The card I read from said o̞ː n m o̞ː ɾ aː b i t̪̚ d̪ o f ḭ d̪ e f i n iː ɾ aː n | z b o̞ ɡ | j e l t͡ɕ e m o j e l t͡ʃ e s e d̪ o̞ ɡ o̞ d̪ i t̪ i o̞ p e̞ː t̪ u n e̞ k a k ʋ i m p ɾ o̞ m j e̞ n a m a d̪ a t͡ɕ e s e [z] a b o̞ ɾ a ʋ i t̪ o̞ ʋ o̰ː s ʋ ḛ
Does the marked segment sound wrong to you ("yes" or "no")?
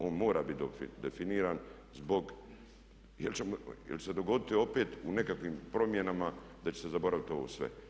no